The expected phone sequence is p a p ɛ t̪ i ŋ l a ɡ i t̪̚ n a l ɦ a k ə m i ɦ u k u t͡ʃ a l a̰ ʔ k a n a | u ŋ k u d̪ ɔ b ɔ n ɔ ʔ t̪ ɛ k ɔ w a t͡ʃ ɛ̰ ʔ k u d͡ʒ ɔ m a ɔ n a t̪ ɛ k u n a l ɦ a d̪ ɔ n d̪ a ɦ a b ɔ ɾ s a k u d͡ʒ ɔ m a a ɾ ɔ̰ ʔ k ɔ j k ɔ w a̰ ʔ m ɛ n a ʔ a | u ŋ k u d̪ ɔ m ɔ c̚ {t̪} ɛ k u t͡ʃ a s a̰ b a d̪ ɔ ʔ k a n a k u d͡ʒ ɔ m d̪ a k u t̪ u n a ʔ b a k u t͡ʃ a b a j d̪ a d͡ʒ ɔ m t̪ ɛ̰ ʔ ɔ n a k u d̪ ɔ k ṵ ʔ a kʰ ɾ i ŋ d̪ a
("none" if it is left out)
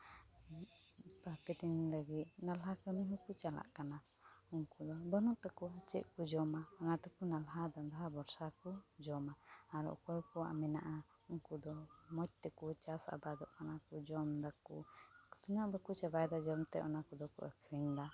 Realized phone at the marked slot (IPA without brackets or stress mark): t̪